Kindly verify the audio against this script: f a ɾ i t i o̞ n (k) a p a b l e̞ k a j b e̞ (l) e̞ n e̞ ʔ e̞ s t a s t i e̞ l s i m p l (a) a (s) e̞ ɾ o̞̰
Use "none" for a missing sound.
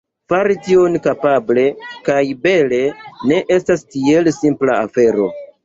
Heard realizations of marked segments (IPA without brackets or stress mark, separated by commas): k, l, a, f